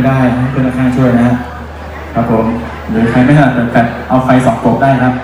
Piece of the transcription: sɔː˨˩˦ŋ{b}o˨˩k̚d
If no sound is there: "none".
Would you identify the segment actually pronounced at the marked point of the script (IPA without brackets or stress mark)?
p